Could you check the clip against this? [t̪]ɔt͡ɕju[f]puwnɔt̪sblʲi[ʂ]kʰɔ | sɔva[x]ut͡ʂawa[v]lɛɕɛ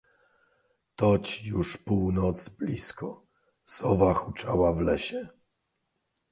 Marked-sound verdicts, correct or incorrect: correct, incorrect, incorrect, correct, correct

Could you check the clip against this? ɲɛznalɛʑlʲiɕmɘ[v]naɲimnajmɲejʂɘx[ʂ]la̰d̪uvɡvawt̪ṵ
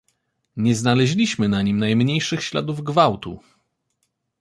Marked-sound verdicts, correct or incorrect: incorrect, incorrect

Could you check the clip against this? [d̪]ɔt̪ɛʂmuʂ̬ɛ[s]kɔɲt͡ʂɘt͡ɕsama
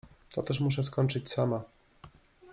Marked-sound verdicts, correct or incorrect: incorrect, correct

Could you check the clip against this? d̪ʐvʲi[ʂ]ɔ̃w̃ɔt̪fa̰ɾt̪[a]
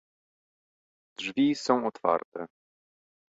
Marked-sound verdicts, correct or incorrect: incorrect, incorrect

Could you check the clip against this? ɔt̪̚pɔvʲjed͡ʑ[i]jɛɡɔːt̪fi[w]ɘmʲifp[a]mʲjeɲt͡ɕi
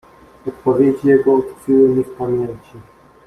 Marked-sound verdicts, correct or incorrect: correct, correct, correct

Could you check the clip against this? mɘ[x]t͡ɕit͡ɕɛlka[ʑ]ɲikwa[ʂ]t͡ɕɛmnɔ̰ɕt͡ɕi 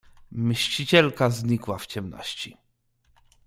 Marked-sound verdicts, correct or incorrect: incorrect, incorrect, incorrect

